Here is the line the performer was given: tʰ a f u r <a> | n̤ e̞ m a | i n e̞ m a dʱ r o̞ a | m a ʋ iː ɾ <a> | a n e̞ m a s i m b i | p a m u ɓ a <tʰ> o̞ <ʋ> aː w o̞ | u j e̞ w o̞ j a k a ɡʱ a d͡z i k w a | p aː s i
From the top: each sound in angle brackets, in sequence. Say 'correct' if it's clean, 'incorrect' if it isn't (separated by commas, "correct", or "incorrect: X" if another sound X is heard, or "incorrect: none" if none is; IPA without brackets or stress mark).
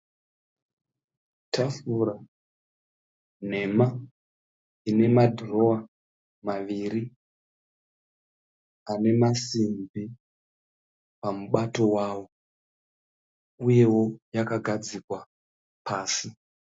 correct, incorrect: i, incorrect: t, incorrect: w